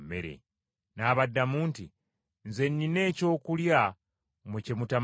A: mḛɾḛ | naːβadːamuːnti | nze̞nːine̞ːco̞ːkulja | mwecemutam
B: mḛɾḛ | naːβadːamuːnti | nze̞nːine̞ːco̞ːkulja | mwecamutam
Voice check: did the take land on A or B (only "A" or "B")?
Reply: A